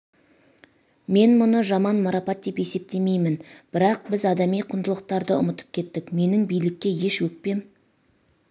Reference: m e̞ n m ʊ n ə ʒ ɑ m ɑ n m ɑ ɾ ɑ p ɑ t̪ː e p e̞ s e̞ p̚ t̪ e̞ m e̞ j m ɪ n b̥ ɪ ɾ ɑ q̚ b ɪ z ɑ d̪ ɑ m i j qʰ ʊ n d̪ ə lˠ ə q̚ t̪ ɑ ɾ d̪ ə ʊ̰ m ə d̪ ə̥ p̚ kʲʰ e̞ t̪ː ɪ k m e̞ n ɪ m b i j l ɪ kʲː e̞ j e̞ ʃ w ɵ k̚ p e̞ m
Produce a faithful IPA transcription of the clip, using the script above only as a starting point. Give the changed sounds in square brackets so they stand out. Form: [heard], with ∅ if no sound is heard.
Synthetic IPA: m e̞ n m ʊ n ə ʒ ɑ m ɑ n m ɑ ɾ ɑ p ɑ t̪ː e p e̞ s e̞ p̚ t̪ e̞ m e̞ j m ɪ n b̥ ɪ ɾ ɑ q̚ b ɪ z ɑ d̪ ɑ m i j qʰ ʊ n d̪ ə lˠ ə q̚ t̪ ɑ ɾ d̪ ə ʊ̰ m ə [t̪] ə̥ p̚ kʲʰ e̞ t̪ː ɪ k m e̞ n ɪ [ŋ] b i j l ɪ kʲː e̞ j e̞ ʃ w ɵ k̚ p e̞ m